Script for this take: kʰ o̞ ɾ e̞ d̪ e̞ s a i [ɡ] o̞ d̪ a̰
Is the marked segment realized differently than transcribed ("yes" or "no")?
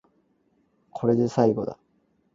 no